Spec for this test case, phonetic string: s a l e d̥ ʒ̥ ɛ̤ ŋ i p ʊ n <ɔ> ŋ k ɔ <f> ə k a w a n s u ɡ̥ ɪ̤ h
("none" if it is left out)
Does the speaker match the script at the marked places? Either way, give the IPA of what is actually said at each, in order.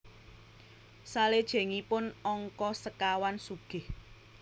ɔ, s

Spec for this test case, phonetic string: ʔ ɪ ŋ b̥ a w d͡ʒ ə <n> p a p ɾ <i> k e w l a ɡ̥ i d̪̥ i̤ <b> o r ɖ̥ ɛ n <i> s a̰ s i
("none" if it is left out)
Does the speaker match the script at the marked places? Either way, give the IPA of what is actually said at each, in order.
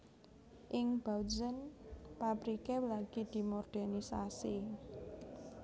n, i, m, i

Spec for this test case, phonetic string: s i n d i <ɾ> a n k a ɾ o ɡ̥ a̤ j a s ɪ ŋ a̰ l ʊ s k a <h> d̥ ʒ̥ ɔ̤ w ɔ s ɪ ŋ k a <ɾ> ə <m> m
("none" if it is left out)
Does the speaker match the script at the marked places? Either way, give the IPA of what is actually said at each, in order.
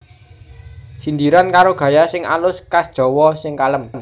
ɾ, s, l, m

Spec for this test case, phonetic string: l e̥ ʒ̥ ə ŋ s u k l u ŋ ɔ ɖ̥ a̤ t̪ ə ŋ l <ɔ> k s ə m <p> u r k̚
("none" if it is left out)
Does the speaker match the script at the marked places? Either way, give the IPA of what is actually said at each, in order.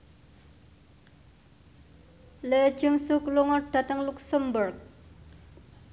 u, b

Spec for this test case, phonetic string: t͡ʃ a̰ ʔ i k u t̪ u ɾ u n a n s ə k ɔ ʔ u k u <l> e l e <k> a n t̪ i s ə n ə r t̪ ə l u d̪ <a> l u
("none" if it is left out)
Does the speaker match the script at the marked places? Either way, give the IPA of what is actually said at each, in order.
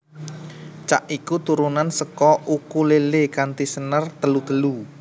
l, k, ə

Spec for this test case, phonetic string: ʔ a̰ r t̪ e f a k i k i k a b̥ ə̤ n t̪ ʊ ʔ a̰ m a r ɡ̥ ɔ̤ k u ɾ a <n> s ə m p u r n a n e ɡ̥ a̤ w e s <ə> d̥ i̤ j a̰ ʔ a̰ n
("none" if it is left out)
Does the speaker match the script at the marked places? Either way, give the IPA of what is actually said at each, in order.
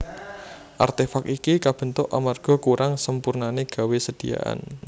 ŋ, ə

